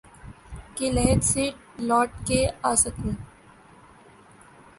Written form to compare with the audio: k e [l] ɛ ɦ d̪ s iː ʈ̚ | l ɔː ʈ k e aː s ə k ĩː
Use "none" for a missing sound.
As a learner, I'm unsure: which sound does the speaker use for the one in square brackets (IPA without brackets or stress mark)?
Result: l